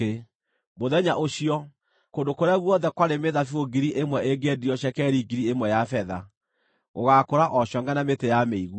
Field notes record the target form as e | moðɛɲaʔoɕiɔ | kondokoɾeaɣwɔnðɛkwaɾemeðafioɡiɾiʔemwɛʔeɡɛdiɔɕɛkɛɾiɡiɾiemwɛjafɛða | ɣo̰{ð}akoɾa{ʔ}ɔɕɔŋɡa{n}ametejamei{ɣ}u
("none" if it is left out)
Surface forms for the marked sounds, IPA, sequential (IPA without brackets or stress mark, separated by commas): ɣ, ʔ, n, ɣ